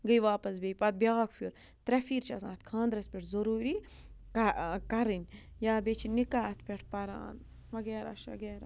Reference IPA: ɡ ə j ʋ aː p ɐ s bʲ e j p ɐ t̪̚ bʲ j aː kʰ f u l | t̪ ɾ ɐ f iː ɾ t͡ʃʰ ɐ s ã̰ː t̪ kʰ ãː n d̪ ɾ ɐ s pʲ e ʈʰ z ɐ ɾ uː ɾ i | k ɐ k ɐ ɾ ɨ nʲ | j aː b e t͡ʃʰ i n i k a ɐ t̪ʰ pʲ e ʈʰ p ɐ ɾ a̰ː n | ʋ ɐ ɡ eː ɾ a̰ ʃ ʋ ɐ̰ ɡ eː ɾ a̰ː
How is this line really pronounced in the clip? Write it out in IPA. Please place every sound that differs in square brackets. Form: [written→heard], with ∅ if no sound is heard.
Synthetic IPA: ɡ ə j ʋ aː p ɐ s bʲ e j p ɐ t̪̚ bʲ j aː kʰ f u [l→ɾ] | t̪ ɾ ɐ f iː ɾ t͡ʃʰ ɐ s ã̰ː t̪ kʰ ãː n d̪ ɾ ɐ s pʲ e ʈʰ z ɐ ɾ uː ɾ i | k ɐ k ɐ ɾ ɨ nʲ | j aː b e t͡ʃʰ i n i k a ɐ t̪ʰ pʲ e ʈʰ p ɐ ɾ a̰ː n | ʋ ɐ ɡ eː ɾ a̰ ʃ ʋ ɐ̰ ɡ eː ɾ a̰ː